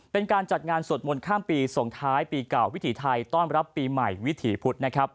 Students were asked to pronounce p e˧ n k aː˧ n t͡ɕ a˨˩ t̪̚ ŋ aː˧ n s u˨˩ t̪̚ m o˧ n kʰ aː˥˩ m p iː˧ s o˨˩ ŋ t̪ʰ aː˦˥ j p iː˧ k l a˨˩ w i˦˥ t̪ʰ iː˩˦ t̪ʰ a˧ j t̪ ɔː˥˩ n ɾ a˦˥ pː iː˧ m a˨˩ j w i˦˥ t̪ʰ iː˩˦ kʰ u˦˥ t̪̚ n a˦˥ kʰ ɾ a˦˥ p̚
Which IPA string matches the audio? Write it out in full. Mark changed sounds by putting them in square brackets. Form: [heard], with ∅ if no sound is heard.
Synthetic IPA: p e˧ n k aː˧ n t͡ɕ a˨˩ t̪̚ ŋ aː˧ n s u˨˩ t̪̚ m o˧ n kʰ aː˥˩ m p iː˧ s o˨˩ ŋ t̪ʰ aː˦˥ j p iː˧ k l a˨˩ w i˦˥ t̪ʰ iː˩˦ t̪ʰ a˧ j t̪ ɔː˥˩ n ɾ a˦˥ pː iː˧ m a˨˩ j w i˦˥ t̪ʰ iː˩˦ [pʰ] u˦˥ t̪̚ n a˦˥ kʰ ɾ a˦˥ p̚